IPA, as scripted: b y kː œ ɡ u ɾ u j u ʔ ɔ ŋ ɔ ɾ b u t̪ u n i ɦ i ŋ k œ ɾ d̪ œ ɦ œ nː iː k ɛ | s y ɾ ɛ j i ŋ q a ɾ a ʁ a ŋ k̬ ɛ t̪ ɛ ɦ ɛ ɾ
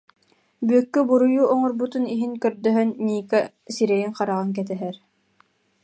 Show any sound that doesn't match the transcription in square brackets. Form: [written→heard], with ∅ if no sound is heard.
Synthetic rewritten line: b y kː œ [ɡ→b] u ɾ u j u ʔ ɔ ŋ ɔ ɾ b u t̪ u n i ɦ i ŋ k œ ɾ d̪ œ ɦ œ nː iː k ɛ | s [y→i] ɾ ɛ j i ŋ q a ɾ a ʁ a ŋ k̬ ɛ t̪ ɛ ɦ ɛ ɾ